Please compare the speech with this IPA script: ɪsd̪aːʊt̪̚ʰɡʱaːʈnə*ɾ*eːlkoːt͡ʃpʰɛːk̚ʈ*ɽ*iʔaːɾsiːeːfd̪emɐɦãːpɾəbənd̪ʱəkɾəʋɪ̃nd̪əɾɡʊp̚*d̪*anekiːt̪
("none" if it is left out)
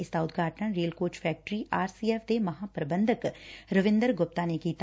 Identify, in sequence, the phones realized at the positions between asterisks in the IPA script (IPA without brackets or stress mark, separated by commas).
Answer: ɾ, ɾ, t̪